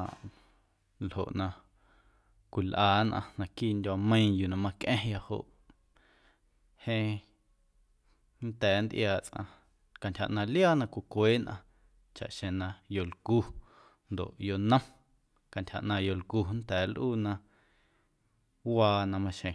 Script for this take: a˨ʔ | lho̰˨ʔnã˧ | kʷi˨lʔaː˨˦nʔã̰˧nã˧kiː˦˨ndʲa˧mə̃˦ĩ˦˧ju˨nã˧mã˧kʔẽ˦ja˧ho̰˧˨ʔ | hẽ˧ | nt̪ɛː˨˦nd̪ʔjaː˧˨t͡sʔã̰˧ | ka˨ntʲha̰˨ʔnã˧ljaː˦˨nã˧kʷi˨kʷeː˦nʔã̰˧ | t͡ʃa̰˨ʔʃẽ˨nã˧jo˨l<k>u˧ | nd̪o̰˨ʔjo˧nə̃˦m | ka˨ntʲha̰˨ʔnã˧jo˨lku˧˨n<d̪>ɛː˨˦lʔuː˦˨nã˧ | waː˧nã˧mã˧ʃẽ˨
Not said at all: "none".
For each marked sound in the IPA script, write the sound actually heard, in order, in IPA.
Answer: k, t̪

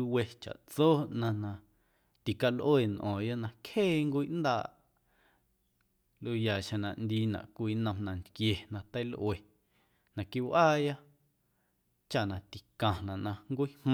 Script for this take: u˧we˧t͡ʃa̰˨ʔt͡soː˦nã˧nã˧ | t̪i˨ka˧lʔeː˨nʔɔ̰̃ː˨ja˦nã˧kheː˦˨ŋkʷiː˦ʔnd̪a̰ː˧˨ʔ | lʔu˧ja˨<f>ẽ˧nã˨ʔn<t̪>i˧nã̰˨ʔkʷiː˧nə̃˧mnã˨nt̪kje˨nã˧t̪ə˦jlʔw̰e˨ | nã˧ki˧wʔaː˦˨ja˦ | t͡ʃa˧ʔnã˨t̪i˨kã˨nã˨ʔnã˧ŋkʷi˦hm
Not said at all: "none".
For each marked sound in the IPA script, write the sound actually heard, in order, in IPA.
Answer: ʃ, d̪

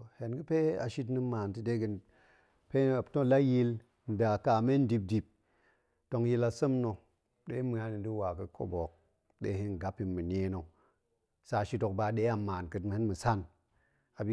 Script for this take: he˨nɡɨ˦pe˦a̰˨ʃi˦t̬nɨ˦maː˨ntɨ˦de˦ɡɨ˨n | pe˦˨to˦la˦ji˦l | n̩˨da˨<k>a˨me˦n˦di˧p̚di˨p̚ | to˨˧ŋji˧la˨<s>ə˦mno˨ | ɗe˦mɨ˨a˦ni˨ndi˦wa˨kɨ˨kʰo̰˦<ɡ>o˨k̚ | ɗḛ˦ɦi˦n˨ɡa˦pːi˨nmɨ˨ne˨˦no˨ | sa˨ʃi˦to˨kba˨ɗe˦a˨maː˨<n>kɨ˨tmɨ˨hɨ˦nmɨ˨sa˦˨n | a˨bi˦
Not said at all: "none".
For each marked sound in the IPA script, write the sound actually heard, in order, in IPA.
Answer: k, s, b, n

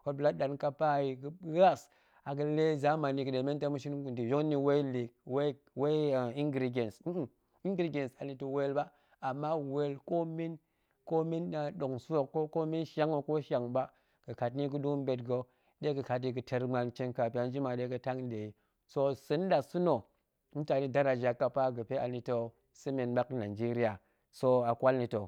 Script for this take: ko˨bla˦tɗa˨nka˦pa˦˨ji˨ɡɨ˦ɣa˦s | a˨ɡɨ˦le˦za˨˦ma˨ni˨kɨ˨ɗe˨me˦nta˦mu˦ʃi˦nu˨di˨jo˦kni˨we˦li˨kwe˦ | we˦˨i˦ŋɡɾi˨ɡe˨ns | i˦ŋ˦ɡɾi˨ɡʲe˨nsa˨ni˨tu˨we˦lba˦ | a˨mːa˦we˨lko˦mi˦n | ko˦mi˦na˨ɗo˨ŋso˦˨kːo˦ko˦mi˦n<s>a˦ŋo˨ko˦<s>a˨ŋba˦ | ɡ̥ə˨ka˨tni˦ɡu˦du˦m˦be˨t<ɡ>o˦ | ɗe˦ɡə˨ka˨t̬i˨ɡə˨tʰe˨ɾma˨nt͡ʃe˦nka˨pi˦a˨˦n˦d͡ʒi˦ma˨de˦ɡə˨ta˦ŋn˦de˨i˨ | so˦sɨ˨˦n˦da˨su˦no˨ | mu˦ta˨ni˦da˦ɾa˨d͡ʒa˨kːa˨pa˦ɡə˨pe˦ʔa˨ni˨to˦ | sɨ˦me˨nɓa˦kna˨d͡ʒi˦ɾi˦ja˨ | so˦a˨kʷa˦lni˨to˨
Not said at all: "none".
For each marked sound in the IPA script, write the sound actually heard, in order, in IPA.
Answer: ʃ, ʃ, ɡ

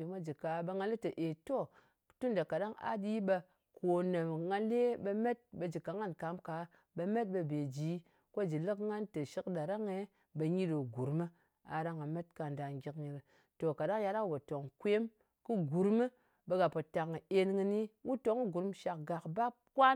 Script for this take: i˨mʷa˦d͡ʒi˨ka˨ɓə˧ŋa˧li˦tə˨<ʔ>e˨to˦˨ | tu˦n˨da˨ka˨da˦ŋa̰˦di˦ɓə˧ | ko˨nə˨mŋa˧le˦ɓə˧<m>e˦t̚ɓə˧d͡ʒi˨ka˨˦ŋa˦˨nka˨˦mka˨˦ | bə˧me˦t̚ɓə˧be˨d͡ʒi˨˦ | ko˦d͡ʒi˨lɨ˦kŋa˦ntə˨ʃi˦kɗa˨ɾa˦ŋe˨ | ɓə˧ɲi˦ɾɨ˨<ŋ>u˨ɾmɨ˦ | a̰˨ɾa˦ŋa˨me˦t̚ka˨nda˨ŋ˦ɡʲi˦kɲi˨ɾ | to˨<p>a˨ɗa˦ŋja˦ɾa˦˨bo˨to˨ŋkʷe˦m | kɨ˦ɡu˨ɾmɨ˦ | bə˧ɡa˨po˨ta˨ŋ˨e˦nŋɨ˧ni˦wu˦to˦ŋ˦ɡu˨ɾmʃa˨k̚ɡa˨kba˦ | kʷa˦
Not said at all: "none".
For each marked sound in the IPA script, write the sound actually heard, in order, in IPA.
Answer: ʔ, m, ɡ, k

